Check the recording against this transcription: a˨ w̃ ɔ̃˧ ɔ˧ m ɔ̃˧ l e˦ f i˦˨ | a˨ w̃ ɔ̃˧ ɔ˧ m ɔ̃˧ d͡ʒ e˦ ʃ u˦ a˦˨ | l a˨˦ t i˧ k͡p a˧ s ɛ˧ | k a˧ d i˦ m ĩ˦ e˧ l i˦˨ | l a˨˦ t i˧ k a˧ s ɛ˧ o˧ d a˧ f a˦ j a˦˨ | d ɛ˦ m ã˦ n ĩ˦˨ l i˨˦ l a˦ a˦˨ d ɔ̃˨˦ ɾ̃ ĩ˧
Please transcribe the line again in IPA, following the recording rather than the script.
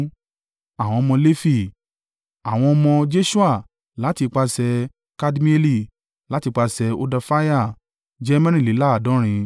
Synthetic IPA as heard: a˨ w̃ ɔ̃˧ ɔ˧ m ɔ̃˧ l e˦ f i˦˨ | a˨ w̃ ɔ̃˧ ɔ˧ m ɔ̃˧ d͡ʒ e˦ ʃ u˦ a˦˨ | l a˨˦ t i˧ k͡p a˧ s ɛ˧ | k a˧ d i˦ m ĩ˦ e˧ l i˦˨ | l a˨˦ t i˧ k͡p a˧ s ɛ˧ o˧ d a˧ f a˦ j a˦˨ | d͡ʒ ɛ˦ m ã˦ n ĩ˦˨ l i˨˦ l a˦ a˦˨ d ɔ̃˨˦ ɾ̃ ĩ˧